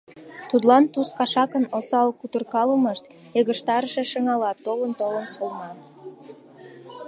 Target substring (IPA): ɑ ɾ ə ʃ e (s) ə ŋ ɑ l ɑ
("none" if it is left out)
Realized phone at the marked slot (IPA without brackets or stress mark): ʃ